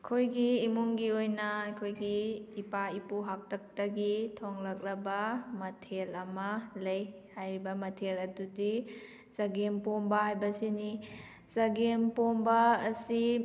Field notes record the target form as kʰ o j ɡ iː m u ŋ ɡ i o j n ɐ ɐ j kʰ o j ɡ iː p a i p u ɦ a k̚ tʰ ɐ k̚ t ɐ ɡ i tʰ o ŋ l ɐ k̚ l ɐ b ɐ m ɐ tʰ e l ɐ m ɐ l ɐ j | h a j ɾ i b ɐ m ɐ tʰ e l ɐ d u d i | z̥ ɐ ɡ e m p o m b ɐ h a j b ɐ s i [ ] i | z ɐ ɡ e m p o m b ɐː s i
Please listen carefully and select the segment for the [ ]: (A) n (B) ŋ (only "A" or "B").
A